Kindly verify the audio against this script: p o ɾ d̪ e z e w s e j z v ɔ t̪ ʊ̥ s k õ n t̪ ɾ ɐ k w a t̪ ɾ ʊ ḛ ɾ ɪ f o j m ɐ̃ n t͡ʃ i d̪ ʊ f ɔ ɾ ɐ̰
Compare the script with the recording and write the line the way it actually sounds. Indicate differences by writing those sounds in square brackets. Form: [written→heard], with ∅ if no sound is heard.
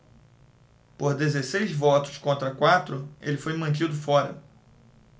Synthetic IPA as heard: p o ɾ d̪ e z e [w→∅] s e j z v ɔ t̪ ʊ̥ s k õ n t̪ ɾ ɐ k w a t̪ ɾ ʊ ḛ [ɾ→l] ɪ f o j m ɐ̃ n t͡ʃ i d̪ ʊ f ɔ ɾ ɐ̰